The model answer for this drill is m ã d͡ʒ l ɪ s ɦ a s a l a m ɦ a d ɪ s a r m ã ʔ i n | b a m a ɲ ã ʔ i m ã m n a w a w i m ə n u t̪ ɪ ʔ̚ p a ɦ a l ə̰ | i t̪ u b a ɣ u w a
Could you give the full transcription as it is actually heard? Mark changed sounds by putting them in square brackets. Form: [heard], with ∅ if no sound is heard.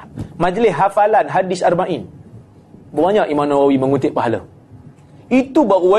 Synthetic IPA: m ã d͡ʒ l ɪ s ɦ a [f] a l a [n] ɦ a d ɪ s a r m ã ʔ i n | b [ə] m a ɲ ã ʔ i m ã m n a w a w i m ə [ŋ] u t̪ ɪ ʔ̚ p a ɦ a l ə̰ | i t̪ u b a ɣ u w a